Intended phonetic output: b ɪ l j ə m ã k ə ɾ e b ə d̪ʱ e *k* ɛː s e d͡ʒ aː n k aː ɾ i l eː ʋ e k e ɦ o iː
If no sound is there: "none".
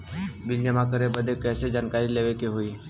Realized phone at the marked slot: k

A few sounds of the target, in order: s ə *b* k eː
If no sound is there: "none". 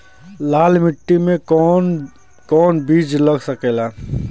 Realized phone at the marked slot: none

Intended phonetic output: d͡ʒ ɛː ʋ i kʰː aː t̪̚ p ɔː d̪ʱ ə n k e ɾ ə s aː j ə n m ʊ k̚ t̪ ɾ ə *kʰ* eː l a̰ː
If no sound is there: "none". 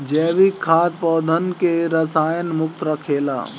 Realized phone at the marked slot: kʰ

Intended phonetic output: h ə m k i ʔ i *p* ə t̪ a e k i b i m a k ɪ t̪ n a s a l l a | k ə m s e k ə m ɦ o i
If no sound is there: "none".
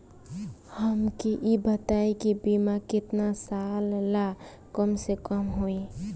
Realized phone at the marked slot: b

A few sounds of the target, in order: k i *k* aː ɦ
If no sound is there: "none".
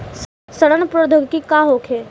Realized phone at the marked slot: k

